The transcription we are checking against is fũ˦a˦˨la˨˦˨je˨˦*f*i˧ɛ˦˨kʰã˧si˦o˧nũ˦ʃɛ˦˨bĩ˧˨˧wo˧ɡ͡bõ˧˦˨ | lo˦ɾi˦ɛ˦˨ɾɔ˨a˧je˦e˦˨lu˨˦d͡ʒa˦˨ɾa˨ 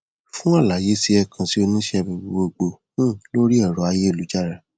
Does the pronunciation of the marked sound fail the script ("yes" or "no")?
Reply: yes